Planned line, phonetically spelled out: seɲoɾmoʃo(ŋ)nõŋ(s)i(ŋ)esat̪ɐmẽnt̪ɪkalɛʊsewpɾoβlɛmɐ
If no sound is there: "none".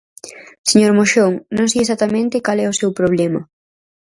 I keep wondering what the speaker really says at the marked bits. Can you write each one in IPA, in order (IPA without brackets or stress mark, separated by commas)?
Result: ŋ, s, none